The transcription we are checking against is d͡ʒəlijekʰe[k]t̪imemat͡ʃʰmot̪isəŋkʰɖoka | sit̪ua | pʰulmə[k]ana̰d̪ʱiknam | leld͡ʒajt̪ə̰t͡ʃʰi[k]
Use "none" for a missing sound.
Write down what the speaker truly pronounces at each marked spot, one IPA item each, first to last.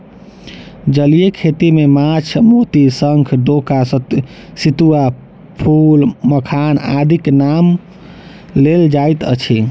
none, kʰ, none

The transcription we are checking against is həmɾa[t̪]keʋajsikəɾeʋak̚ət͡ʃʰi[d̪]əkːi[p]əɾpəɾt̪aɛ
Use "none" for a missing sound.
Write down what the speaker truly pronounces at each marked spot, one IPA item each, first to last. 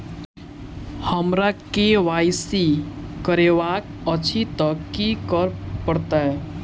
none, t̪, k

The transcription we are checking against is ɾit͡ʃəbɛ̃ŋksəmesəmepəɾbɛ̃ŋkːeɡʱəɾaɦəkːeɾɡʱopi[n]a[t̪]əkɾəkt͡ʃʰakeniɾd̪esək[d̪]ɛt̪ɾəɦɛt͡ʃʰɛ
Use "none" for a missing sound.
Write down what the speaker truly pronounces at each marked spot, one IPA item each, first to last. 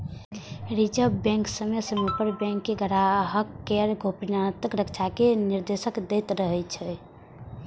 n, t̪, d̪

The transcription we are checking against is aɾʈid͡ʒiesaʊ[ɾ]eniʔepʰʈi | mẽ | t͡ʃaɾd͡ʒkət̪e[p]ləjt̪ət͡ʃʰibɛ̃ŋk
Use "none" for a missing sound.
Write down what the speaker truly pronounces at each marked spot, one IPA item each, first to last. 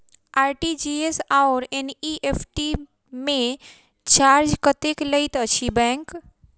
ɾ, k

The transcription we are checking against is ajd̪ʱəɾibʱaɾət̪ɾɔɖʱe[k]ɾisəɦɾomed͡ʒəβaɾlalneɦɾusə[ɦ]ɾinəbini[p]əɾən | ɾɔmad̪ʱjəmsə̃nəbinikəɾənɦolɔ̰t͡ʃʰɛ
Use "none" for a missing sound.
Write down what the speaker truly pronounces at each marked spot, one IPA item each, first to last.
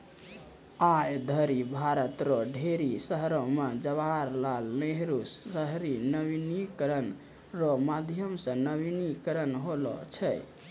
none, ɦ, k

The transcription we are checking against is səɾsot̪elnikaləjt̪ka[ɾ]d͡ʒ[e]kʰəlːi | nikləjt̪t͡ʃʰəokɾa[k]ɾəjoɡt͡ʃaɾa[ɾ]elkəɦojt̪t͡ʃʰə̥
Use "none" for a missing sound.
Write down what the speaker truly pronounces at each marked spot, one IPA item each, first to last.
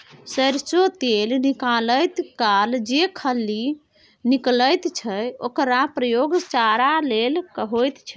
l, e, p, l

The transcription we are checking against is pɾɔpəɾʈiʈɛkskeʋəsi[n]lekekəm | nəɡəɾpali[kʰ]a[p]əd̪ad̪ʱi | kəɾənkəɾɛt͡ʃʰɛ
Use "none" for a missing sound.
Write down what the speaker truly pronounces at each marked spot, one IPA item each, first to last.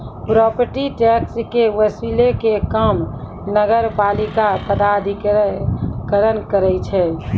none, k, p

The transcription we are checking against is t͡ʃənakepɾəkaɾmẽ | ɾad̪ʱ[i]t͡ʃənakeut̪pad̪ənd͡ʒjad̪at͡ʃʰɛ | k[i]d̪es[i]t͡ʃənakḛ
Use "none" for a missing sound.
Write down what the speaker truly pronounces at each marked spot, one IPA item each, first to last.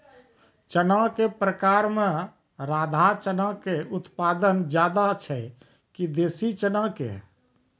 a, i, i

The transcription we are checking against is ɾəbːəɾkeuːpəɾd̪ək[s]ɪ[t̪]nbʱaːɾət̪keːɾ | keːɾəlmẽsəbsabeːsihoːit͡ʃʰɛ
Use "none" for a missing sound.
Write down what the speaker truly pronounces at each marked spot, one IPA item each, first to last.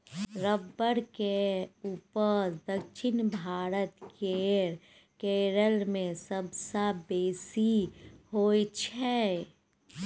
ʃ, none

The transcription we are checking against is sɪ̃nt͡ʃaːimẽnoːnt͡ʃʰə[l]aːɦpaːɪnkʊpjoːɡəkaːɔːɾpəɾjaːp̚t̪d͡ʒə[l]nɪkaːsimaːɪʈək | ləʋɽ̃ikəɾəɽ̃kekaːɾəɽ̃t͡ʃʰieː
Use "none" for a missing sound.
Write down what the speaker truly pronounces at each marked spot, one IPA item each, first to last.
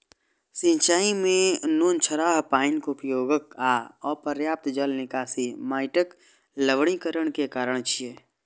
ɾ, l

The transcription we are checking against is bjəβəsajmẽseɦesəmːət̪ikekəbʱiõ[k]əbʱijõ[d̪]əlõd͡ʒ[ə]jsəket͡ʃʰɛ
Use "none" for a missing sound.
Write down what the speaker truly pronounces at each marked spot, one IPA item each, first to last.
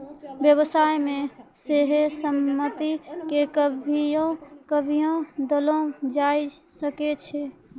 k, d̪, a

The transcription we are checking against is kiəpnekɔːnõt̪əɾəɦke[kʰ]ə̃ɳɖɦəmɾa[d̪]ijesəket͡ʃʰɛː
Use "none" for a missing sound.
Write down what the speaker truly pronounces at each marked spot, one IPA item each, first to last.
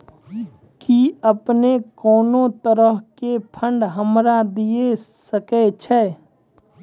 pʰ, d̪

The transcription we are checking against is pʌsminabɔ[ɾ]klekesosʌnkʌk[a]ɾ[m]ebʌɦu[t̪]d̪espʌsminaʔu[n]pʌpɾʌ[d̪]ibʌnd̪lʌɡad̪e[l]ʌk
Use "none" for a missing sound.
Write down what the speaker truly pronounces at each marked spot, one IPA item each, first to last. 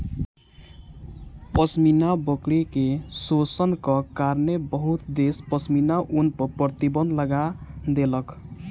none, a, n, t̪, n, t̪, l

